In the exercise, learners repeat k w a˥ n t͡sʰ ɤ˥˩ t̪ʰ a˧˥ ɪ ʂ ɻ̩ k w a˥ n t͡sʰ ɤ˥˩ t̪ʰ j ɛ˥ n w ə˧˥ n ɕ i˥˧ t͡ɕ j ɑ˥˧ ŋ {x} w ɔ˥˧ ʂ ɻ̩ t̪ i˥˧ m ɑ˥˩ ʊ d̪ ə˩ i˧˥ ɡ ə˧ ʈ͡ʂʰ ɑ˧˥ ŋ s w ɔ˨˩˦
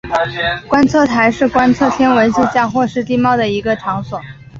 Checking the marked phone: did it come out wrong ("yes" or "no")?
no